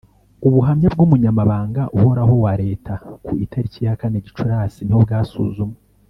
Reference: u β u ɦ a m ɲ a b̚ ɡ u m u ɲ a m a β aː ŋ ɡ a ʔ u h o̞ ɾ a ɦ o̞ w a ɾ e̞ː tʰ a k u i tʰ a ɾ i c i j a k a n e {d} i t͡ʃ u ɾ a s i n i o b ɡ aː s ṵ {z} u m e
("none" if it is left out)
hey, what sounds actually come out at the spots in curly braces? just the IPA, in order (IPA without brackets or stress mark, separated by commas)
ɟ, z